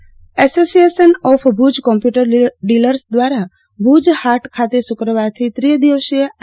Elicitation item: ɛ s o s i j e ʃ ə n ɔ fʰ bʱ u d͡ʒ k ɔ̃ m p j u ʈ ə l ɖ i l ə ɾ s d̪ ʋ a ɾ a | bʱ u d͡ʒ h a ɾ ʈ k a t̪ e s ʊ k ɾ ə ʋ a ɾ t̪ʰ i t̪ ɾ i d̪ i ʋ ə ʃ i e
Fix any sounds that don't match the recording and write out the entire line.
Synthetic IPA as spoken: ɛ s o s i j e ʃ ə n ɔ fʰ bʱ u d͡ʒ k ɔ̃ m p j u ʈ ə ɾ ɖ i l ə ɾ s d̪ ʋ a ɾ a | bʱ u d͡ʒ h a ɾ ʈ kʰ a t̪ e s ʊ k ɾ ə ʋ a ɾ t̪ʰ i t̪ ɾ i d̪ i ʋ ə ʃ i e